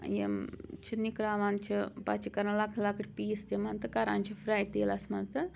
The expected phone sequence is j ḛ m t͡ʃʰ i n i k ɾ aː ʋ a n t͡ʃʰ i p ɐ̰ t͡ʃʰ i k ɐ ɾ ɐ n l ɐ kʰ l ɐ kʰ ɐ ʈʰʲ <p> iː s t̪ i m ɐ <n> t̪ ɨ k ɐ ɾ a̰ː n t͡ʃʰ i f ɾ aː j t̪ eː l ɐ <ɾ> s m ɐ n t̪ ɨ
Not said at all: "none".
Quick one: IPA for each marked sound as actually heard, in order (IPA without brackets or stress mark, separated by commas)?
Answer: p, n, none